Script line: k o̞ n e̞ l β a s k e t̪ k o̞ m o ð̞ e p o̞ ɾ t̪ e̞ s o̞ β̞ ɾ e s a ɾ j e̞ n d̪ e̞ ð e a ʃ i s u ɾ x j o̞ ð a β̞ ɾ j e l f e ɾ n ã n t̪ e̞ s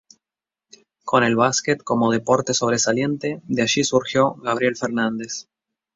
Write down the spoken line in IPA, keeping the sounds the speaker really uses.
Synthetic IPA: k o̞ n e̞ l β a s k e t̪ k o̞ m o ð̞ e p o̞ ɾ t̪ e̞ s o̞ β̞ ɾ e s a l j e̞ n t̪ e̞ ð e a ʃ i s u ɾ x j o̞ ɣ a β̞ ɾ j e l f e ɾ n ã n d̪ e̞ s